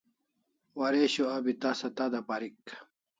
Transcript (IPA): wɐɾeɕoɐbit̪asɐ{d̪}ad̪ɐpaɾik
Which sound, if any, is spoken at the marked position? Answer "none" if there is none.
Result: t̪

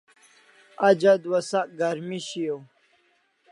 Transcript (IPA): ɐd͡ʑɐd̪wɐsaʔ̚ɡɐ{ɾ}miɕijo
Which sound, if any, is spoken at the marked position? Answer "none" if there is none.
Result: ɾ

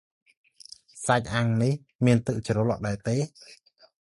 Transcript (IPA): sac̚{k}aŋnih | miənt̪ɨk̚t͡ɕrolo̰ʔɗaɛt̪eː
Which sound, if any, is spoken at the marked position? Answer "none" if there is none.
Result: ʔ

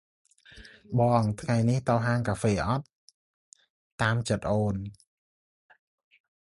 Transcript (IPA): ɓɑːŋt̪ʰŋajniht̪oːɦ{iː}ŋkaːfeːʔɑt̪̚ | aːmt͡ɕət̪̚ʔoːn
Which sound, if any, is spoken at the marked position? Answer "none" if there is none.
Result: aː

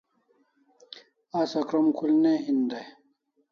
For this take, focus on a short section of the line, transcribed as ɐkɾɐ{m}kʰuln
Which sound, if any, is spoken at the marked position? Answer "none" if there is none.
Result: m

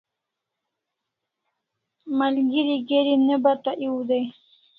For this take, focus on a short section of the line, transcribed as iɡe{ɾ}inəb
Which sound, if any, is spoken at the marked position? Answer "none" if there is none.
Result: ɾ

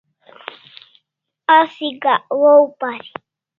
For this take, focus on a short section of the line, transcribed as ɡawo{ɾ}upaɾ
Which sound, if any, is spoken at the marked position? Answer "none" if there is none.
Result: none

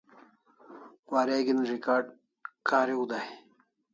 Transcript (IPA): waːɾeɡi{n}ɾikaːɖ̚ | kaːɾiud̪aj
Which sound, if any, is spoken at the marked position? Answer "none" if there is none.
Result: n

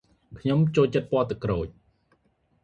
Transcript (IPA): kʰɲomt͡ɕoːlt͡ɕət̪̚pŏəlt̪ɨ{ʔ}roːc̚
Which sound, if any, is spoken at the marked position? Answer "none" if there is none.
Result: k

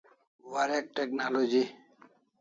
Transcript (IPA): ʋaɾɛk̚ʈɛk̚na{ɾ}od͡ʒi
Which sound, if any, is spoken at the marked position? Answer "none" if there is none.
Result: l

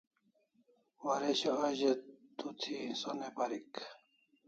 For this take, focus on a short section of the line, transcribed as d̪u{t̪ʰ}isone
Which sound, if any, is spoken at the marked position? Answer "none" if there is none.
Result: t̪ʰ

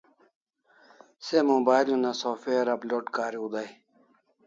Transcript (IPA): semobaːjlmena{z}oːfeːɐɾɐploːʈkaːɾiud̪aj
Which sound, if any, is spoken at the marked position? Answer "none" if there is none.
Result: s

